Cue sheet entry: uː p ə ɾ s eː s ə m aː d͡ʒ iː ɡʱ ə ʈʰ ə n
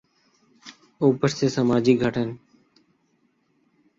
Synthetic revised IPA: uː p ə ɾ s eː s ə m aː d͡ʒ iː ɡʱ ə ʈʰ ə n